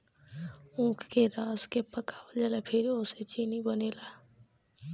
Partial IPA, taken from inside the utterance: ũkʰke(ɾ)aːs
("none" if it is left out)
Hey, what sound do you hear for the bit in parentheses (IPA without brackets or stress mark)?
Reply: ɾ